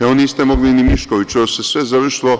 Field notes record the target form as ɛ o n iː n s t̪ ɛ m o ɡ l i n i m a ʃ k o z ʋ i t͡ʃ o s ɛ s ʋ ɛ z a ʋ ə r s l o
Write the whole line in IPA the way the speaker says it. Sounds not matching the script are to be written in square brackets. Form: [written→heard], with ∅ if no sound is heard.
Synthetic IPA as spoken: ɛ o n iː [n→∅] s t̪ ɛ m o ɡ l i n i m [a→i] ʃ k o [z→∅] ʋ i t͡ʃ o s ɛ s ʋ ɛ z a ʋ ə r [s→ʃ] l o